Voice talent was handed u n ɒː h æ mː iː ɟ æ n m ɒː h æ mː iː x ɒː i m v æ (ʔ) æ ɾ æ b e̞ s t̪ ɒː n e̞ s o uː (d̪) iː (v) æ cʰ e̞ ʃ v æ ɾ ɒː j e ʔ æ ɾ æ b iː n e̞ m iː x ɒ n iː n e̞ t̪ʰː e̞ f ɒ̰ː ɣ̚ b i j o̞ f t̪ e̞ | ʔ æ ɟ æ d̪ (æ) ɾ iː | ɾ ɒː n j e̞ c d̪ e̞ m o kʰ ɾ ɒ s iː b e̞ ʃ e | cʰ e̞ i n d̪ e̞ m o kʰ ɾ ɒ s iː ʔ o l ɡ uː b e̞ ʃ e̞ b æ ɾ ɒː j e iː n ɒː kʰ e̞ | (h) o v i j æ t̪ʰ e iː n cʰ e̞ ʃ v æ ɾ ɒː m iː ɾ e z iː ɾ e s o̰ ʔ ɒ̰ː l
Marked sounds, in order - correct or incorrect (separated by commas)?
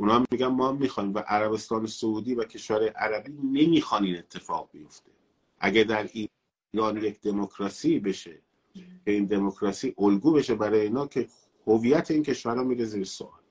correct, correct, correct, correct, correct